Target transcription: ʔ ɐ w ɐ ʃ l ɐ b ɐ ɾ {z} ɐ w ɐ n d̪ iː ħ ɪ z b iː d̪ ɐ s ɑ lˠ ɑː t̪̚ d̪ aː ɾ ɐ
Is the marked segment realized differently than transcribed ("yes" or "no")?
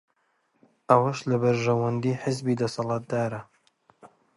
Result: yes